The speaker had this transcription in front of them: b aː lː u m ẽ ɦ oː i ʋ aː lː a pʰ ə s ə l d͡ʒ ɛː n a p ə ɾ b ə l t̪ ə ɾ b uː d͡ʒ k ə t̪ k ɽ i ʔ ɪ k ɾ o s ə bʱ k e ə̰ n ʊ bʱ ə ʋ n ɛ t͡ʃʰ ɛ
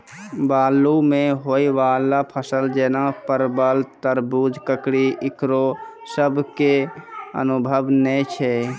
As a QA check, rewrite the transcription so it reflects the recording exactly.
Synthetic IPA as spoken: b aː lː u m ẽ ɦ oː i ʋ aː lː a pʰ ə s ə l d͡ʒ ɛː n a p ə ɾ b ə l t̪ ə ɾ b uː d͡ʒ k ə k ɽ i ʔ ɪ k ɾ o s ə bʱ k e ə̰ n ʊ bʱ ə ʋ n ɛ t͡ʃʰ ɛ